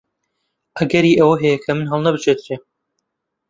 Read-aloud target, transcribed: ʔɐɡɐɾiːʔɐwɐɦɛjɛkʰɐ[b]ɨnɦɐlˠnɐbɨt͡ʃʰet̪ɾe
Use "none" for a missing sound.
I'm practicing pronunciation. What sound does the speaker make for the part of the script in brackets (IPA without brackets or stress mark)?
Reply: m